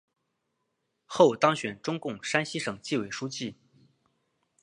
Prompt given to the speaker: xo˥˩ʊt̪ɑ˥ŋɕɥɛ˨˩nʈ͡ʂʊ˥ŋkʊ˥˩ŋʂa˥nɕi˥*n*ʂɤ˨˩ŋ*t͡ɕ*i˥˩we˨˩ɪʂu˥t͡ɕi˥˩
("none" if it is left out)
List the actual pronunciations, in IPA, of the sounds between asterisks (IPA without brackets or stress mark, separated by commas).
none, t͡ɕ